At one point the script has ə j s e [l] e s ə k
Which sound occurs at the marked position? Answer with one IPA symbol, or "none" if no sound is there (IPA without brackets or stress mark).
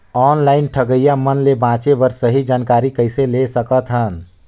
l